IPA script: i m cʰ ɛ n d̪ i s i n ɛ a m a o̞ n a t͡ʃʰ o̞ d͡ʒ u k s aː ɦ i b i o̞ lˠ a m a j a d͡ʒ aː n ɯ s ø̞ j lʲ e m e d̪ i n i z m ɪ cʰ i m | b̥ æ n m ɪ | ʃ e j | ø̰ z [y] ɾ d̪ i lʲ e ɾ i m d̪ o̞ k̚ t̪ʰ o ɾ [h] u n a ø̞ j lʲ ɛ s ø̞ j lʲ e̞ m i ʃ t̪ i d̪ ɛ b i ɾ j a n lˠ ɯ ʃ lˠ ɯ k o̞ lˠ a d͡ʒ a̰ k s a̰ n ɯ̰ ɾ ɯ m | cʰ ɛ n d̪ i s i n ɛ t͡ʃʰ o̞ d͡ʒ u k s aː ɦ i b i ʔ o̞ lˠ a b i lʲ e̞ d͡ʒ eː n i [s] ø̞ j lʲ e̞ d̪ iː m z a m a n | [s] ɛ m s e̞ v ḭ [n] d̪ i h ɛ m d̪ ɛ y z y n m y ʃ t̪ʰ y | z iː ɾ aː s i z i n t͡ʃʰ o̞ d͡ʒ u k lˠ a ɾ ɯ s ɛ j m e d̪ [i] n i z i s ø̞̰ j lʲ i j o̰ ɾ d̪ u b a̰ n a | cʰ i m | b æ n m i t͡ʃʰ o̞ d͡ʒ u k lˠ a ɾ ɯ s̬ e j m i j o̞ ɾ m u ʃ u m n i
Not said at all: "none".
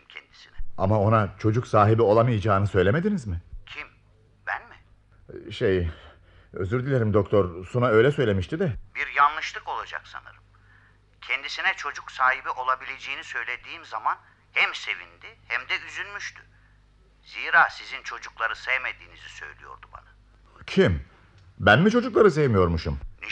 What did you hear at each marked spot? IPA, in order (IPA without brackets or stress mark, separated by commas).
y, s, s, h, n, iː